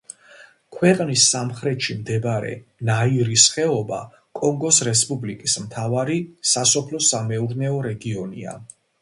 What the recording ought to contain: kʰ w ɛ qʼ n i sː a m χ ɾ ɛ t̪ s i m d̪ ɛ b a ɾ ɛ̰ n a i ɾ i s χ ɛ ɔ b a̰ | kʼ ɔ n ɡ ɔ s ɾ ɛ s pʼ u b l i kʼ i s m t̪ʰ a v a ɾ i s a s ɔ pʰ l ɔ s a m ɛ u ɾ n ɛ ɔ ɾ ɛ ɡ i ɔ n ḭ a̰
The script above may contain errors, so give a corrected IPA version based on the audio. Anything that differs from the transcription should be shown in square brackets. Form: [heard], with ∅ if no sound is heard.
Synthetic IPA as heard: kʰ w ɛ qʼ n i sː a m χ ɾ ɛ t̪ [ʃ] i m d̪ ɛ b a ɾ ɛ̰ n a i ɾ i s χ ɛ ɔ b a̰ | kʼ ɔ [ŋ] ɡ ɔ s ɾ ɛ s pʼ u b l i kʼ i s m t̪ʰ a v a ɾ i s a s ɔ pʰ l ɔ s a m ɛ u ɾ n ɛ ɔ ɾ ɛ ɡ i ɔ n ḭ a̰